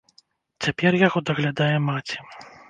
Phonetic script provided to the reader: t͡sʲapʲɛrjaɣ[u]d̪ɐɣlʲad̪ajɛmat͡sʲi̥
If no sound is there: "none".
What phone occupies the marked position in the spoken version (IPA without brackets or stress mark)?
ɔ